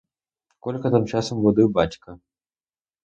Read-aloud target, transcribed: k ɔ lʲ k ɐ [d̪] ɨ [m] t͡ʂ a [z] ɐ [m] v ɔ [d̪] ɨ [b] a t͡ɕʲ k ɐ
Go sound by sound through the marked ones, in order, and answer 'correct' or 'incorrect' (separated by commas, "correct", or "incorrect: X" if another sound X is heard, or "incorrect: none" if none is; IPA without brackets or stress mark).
incorrect: t̪, correct, incorrect: s, correct, correct, correct